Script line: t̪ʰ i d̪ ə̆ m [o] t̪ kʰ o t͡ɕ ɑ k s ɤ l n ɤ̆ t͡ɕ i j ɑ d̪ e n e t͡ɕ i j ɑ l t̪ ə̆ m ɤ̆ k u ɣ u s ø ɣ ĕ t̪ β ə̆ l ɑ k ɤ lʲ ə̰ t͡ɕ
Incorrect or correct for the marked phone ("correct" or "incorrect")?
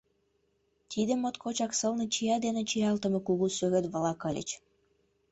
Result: correct